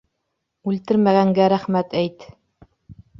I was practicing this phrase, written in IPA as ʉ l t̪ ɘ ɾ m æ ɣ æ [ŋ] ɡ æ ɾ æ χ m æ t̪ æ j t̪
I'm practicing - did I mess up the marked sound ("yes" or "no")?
no